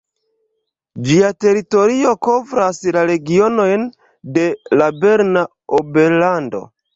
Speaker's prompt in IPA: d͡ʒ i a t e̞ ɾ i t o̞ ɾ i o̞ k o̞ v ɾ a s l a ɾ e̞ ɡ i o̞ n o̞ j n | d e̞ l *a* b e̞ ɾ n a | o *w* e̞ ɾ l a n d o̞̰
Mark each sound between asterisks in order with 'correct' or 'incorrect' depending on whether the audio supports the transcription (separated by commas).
correct, incorrect